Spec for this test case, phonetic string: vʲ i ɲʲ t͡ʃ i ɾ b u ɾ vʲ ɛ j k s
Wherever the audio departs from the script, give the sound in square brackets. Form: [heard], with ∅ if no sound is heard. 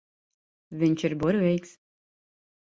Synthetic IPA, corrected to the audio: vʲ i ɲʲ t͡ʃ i ɾ b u ɾ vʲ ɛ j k s